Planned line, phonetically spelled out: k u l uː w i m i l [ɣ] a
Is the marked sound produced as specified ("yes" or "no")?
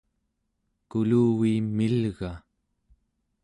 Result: yes